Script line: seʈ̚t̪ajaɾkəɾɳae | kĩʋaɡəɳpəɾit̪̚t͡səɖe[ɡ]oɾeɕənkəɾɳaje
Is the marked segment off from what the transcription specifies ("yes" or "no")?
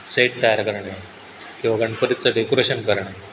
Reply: yes